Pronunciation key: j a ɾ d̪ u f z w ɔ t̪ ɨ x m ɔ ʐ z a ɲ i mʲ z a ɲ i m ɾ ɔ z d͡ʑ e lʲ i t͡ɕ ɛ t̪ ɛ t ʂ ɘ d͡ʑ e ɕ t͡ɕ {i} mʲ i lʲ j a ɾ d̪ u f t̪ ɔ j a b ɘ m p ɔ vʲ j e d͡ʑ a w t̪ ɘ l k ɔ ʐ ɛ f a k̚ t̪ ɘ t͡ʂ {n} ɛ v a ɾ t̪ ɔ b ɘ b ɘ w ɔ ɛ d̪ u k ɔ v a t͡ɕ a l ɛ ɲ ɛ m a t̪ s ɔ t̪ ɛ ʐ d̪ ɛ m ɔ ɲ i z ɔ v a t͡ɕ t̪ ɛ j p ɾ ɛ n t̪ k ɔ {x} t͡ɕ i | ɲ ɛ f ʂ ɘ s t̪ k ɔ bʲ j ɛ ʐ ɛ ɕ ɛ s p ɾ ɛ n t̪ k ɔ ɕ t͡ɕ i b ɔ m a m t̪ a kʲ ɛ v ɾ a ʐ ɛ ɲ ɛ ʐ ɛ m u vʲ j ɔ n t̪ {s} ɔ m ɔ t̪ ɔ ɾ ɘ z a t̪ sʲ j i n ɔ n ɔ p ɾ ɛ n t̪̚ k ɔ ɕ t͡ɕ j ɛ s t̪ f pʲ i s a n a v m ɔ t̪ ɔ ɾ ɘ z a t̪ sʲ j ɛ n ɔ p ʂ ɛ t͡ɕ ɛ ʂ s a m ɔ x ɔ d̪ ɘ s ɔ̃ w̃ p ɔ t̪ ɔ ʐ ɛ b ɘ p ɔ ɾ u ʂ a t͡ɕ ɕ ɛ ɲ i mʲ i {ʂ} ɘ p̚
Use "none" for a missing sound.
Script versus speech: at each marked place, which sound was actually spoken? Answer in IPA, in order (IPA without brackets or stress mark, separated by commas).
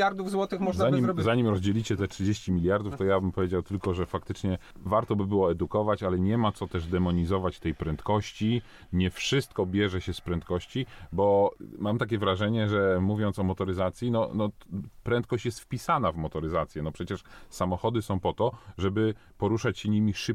i, ɲ, ɕ, s, ʂ